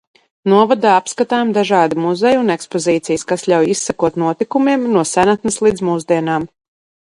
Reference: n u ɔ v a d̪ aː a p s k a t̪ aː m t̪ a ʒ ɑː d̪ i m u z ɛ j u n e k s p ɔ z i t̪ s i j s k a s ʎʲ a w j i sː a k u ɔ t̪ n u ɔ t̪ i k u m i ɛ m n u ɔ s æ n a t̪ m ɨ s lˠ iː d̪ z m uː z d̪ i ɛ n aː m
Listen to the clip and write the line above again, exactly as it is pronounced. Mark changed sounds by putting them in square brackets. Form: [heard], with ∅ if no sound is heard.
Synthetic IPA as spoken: n u ɔ v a d̪ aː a p s k a t̪ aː m [d̪] a ʒ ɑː d̪ i m u z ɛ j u n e k s p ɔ z [iː] t̪ s i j s k a s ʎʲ a w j i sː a k u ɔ t̪ n u ɔ t̪ i k u m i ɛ m n u ɔ s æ n a t̪ [n] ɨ s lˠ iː d̪ z m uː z d̪ i ɛ n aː m